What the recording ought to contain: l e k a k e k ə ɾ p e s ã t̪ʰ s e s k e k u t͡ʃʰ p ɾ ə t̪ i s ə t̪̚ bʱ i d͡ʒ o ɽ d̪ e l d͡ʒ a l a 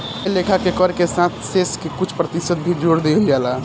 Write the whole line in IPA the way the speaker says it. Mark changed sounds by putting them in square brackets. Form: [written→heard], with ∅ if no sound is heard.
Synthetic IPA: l e [k→kʰ] a k e k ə ɾ [p→k] e s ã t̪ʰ s e s k e k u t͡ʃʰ p ɾ ə t̪ i s ə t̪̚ bʱ i d͡ʒ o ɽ d̪ e l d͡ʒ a l a